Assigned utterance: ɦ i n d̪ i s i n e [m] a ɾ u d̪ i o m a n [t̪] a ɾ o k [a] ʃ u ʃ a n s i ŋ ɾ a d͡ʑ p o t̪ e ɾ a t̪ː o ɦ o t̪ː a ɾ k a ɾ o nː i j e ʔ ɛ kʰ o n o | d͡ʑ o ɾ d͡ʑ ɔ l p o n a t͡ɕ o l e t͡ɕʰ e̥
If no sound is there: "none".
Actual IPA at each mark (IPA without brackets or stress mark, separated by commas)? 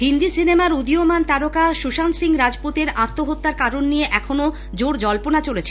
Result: m, t̪, a